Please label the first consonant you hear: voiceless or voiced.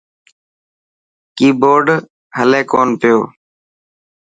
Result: voiceless